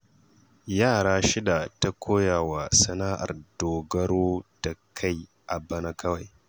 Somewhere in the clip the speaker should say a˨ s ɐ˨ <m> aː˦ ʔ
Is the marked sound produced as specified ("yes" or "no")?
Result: no